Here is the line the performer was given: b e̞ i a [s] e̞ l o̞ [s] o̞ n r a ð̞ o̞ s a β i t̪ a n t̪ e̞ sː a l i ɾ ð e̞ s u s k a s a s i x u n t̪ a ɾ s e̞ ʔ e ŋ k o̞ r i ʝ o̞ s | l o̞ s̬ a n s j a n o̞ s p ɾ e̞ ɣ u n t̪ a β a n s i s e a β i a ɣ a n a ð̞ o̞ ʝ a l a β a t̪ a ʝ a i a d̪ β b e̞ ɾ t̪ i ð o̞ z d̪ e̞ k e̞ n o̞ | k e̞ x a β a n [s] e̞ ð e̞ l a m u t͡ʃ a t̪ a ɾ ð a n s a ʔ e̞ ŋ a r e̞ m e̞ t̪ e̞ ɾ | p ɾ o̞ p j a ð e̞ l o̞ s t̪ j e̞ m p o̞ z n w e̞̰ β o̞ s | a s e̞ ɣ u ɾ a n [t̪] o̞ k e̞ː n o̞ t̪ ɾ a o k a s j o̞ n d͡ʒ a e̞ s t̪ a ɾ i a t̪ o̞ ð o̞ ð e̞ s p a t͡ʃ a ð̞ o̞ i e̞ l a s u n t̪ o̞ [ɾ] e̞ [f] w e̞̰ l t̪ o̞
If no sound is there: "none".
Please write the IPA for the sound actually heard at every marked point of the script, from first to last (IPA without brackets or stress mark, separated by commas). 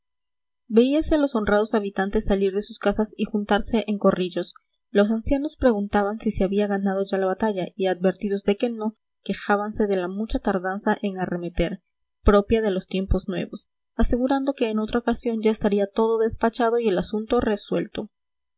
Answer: s, s, s, d̪, r, s